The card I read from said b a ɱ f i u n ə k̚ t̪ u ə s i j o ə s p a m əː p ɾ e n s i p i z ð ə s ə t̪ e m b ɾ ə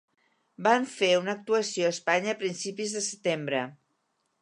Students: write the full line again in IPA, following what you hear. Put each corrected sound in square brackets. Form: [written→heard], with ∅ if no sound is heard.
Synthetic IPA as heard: b a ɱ f [i→e] u n ə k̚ t̪ u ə s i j o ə s p a [m→ɲ] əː p ɾ [e→i] n s i p i z ð ə s ə t̪ e m b ɾ ə